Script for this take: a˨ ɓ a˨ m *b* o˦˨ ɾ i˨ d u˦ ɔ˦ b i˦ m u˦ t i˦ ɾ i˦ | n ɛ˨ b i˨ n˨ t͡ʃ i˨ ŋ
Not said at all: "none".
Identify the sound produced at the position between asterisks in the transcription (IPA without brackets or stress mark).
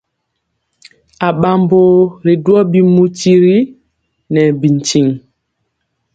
b